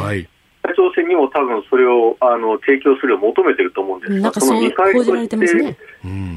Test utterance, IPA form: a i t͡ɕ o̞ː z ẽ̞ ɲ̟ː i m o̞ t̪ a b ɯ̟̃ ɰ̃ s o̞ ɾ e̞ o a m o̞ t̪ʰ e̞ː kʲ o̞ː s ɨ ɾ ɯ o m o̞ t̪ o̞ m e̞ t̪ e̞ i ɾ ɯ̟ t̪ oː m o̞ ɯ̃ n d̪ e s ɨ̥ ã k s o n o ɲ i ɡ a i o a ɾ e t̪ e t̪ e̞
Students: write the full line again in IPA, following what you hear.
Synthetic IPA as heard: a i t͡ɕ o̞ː s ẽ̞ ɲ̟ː i m o̞ t̪ a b ɯ̟̃ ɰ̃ s o̞ ɾ e̞ o a n o̞ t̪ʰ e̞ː kʲ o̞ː s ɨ ɾ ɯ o m o̞ t̪ o̞ m e̞ t̪ e̞ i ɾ ɯ̟ t̪ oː m o̞ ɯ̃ n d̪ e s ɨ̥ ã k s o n o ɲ i k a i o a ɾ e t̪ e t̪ e̞